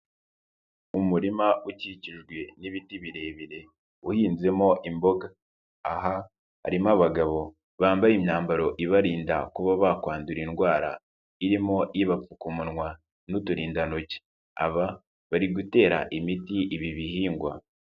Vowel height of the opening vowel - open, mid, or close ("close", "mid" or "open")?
close